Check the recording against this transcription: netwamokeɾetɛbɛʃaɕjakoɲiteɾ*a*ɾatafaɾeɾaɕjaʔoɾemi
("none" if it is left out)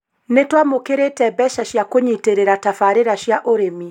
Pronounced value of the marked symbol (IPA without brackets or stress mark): e